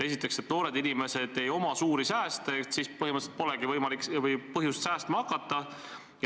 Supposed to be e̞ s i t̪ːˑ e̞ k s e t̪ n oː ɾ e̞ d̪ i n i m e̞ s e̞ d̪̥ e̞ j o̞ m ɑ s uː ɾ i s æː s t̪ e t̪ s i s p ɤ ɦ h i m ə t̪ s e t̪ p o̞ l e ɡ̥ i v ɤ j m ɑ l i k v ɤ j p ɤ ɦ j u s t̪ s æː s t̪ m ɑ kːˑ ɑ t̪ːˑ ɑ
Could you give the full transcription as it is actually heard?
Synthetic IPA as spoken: e̞ s i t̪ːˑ e̞ k s e t̪ n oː ɾ e̞ d̪ i n i m e̞ s e̞ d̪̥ e̞ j o̞ m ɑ s uː ɾ i s æː s t̪ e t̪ s i s p ɤ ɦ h i m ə t̪ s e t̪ p o̞ l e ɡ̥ i v ɤ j m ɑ l i k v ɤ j p ɤ ɦ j u s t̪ s æː s t̪ m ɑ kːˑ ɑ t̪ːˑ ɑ